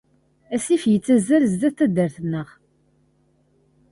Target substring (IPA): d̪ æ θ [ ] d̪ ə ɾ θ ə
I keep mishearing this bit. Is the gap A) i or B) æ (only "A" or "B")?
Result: B